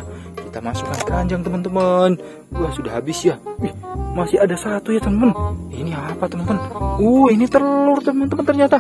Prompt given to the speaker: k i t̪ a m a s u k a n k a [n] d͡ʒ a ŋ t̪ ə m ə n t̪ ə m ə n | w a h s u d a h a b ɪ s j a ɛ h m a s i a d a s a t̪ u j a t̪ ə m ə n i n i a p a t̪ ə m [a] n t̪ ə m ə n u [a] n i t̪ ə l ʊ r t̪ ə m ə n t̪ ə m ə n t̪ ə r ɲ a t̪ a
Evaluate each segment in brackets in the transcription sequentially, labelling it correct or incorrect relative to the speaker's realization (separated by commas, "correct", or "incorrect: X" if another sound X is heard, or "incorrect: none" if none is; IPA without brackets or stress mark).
incorrect: ɲ, incorrect: ə, incorrect: i